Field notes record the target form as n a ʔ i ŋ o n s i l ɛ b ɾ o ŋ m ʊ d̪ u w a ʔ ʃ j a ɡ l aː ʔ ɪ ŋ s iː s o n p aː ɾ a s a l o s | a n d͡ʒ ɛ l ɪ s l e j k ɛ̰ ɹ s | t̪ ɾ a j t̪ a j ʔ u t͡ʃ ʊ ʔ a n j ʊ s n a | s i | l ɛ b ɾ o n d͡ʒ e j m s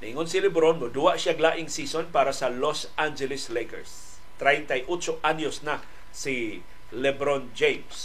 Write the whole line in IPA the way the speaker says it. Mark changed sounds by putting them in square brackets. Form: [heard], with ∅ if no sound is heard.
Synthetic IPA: n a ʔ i ŋ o n s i l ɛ b ɾ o [n] m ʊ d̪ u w a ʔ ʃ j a ɡ l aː ʔ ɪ ŋ s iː s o n p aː ɾ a s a l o s | a n d͡ʒ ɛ l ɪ s l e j k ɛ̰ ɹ s | t̪ ɾ a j t̪ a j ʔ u t͡ʃ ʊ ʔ a n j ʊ s n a | s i | l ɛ b ɾ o n d͡ʒ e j m s